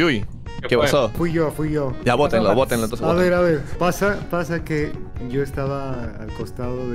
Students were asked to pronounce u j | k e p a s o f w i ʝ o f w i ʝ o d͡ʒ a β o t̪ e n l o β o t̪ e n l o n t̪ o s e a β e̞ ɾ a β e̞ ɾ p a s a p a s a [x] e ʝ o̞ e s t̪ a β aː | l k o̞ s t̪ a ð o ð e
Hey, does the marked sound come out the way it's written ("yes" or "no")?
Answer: no